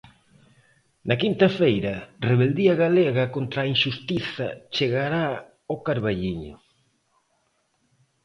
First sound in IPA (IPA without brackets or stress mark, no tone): n